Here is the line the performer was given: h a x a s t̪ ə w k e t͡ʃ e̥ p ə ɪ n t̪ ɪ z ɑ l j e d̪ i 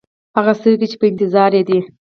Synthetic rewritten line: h a ɣ a s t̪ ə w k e t͡ʃ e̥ p ə ɪ n t̪ ɪ z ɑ ɾ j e d̪ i